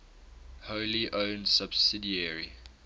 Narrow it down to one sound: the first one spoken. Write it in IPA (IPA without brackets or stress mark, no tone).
h